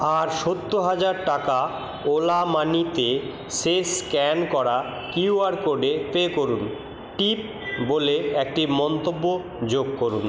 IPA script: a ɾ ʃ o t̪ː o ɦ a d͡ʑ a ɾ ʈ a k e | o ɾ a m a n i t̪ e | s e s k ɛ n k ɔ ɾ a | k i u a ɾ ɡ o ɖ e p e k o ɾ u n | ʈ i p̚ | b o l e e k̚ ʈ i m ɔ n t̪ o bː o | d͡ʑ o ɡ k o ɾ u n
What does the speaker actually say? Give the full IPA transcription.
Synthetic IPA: a ɾ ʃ o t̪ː o ɦ a d͡ʑ a ɾ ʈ a k a | o l a m a n i t̪ e | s e s k ɛ n k ɔ ɾ a | k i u a ɾ k o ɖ e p e k o ɾ u n | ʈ i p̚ | b o l e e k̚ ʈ i m ɔ n t̪ o bː o | d͡ʑ o ɡ k o ɾ u n